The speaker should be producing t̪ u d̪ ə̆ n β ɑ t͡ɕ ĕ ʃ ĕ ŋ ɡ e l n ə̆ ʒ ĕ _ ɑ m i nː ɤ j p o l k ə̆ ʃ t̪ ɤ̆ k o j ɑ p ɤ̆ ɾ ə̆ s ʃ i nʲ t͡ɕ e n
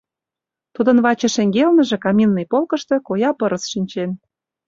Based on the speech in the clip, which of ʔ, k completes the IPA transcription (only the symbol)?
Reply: k